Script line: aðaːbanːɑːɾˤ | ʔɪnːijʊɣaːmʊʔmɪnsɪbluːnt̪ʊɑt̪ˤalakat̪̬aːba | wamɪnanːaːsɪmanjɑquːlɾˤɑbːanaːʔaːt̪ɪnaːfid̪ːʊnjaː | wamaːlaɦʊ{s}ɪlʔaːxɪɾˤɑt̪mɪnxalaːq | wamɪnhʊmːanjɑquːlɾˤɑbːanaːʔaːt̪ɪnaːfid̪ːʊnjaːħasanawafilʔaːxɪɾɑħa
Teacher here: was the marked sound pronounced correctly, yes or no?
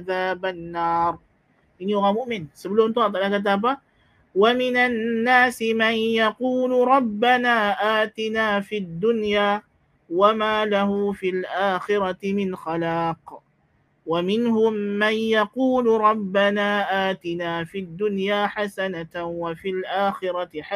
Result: no